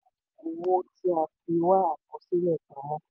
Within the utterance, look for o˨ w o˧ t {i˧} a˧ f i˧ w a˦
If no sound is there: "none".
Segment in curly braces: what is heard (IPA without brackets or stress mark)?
i˧